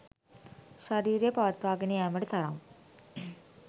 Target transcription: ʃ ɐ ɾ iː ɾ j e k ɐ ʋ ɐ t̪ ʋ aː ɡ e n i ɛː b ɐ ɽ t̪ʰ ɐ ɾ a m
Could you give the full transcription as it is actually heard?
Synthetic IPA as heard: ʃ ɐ ɾ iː ɾ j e p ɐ ʋ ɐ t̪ ʋ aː ɡ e n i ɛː m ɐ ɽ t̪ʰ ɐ ɾ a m